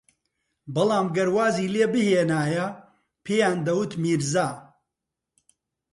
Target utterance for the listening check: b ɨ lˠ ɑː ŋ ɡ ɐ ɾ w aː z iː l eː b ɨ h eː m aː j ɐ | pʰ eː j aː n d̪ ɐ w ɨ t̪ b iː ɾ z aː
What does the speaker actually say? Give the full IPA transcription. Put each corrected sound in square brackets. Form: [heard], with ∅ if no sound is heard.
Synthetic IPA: b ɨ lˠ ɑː [m] ɡ ɐ ɾ w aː z iː l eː b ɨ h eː [n] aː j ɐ | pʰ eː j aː n d̪ ɐ w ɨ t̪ [m] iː ɾ z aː